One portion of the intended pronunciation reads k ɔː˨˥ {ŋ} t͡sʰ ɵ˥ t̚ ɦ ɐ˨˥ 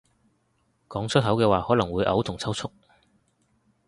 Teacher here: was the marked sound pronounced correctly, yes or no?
yes